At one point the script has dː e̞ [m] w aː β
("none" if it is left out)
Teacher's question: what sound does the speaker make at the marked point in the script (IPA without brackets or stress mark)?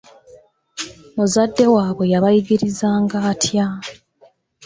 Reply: none